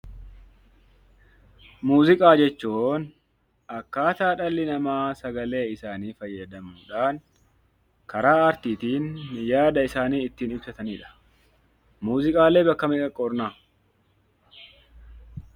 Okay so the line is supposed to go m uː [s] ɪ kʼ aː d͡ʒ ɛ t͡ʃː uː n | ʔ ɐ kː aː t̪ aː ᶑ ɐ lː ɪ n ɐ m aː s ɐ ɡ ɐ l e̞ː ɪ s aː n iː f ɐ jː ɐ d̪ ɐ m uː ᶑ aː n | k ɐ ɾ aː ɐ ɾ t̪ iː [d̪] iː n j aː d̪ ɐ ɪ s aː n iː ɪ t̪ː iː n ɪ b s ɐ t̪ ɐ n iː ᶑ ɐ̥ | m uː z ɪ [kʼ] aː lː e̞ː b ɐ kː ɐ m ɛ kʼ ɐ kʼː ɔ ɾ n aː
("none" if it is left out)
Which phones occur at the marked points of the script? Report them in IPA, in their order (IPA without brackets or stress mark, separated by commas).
z, t̪, kʼ